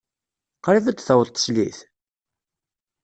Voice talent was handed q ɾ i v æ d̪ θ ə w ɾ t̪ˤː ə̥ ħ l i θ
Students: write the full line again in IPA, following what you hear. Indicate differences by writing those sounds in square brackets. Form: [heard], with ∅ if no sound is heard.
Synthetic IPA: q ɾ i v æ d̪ θ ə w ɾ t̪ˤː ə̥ [s] l i θ